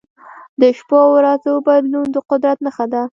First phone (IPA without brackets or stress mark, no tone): d̪